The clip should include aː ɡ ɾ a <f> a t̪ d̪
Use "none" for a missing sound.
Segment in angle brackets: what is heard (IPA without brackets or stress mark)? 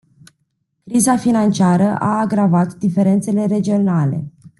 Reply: v